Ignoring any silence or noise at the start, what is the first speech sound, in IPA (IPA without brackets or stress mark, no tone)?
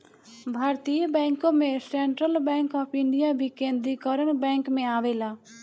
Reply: bʱ